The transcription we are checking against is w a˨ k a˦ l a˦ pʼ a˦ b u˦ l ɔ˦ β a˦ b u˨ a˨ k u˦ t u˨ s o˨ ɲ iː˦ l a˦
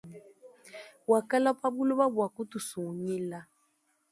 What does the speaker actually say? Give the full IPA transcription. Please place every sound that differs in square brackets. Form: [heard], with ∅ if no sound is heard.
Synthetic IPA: w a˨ k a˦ l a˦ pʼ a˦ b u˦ l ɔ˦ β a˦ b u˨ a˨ k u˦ t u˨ s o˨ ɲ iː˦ l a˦